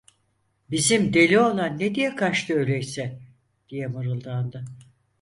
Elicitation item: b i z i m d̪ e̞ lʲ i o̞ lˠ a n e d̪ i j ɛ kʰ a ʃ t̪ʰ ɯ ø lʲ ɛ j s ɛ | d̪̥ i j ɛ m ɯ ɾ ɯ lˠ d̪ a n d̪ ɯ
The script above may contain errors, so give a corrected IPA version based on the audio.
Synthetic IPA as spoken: b i z i m d̪ e̞ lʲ i o̞ lˠ a nː e d̪ i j ɛ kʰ a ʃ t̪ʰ ɯ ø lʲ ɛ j s ɛ | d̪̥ i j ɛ m ɯ ɾ ɯ lˠ d̪ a n d̪ ɯ